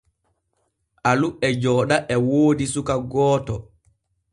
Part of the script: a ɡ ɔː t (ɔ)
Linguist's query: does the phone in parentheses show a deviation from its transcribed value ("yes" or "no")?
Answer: no